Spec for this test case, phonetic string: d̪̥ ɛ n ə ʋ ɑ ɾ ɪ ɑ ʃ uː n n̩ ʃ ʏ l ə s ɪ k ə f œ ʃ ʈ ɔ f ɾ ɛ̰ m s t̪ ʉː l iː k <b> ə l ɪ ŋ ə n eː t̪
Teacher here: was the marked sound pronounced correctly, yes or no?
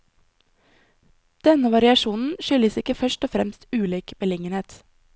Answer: yes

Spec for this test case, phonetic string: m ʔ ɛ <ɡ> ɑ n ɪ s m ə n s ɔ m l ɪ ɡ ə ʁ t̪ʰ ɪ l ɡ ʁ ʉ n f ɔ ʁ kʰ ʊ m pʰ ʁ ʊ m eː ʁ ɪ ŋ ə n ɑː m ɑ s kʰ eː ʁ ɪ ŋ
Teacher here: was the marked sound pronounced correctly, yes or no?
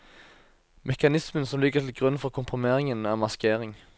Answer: no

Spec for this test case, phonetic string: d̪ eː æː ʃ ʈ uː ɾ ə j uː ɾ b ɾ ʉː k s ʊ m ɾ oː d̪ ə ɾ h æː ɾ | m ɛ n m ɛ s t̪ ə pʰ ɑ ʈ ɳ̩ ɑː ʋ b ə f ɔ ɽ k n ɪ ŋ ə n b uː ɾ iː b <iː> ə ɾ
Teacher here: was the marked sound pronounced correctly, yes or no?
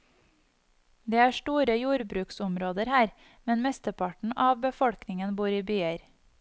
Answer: no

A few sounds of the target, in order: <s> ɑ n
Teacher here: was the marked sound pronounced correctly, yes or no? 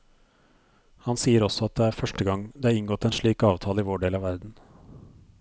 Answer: no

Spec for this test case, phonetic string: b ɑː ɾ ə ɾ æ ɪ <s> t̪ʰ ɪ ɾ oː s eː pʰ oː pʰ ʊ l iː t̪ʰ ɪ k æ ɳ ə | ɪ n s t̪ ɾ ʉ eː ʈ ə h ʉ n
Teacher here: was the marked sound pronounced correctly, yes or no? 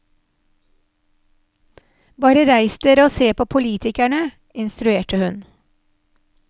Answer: yes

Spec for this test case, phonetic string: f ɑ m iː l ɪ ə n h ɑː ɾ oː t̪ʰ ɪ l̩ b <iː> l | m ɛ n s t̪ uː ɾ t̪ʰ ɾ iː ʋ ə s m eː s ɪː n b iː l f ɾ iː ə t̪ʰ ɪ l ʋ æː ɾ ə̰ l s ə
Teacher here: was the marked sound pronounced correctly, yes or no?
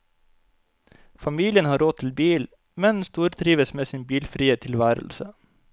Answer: yes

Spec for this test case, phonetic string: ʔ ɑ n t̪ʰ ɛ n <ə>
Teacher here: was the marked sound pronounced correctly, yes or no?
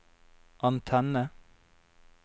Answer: yes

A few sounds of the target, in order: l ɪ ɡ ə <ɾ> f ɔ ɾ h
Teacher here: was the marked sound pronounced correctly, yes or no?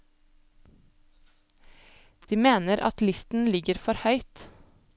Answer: yes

